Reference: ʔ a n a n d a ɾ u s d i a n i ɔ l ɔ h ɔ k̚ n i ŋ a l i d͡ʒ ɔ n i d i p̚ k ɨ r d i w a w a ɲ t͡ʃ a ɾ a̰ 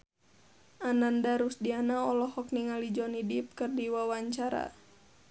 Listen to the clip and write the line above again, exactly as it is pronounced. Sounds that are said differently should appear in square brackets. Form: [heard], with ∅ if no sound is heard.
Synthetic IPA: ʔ a n a n d a ɾ u s d i a n [a] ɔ l ɔ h ɔ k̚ n i ŋ a l i d͡ʒ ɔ n i d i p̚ k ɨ r d i w a w a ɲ t͡ʃ a ɾ a̰